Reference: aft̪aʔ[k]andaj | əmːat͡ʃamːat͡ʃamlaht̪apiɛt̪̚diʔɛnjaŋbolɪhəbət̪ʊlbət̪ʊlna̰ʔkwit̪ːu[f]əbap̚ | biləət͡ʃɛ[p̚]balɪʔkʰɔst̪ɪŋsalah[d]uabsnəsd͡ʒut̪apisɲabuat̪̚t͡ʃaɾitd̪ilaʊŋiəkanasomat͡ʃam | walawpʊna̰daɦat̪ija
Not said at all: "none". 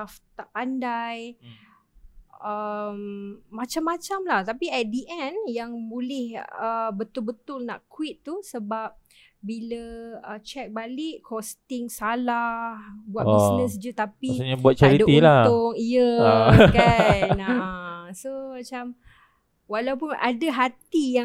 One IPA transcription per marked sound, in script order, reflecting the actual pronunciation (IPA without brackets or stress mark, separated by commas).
p, s, k̚, b